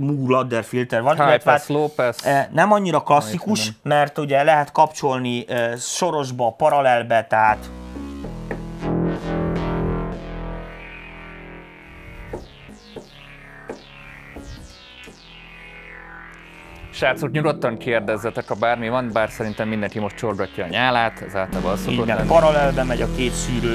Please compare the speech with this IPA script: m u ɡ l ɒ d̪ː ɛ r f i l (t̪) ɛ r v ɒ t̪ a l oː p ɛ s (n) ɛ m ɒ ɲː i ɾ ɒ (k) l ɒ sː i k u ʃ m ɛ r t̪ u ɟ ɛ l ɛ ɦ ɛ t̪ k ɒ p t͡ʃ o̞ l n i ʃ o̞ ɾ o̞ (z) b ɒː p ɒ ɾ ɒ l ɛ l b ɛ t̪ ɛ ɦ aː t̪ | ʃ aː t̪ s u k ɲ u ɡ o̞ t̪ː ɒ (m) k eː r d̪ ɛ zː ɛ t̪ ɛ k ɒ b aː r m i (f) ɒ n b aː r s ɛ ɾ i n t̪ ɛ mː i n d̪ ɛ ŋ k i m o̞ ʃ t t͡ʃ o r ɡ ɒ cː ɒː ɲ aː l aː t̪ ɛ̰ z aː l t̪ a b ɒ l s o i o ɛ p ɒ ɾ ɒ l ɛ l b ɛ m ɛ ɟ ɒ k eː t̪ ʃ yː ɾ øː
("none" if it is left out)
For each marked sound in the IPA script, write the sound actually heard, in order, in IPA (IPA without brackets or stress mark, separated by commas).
t̪, n, k, ʒ, ŋ, v